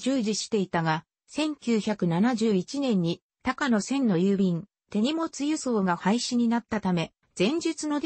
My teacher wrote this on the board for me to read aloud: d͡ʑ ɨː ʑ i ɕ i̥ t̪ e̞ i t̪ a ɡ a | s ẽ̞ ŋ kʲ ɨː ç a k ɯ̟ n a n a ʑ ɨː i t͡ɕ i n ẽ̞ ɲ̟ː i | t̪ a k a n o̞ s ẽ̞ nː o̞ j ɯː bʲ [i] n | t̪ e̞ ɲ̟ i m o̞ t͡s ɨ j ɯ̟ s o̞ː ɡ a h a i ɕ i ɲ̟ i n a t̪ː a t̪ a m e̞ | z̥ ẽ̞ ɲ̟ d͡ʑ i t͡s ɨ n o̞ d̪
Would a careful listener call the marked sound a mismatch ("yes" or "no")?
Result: yes